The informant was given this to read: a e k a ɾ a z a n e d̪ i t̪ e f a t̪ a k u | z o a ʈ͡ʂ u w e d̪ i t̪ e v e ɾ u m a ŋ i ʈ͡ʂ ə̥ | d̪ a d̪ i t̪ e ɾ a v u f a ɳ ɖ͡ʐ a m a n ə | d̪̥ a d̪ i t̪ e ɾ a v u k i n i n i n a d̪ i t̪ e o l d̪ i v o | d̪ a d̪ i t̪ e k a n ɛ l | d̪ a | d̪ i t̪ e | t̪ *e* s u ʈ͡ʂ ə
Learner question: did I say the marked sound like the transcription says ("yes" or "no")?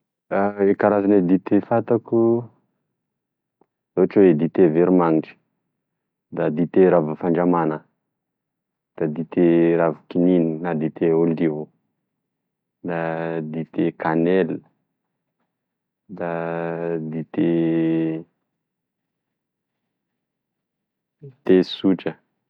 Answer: yes